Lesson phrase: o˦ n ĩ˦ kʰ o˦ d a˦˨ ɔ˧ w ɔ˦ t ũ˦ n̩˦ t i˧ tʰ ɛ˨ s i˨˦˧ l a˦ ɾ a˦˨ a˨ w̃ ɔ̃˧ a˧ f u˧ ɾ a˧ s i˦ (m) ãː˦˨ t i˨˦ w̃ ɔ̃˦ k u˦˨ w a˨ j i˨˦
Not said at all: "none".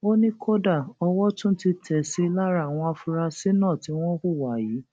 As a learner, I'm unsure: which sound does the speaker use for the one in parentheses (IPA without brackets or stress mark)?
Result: n